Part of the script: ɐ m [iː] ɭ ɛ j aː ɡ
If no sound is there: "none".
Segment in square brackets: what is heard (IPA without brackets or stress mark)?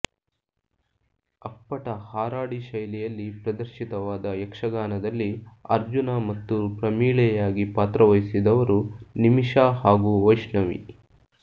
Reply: iː